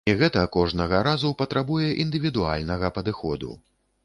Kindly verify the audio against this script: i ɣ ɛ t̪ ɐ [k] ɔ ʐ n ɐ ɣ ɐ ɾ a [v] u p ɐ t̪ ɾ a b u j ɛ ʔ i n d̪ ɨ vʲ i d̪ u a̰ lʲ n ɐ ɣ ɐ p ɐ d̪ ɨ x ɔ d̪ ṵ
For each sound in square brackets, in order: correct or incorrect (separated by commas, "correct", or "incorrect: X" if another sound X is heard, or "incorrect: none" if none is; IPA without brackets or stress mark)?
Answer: correct, incorrect: z